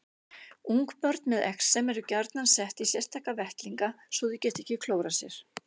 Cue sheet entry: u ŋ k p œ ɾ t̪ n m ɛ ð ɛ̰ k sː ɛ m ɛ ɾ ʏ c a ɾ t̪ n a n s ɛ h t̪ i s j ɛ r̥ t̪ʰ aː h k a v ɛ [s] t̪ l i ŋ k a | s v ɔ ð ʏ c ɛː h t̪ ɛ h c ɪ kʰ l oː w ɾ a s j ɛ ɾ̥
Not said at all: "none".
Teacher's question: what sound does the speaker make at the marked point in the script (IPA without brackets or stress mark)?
h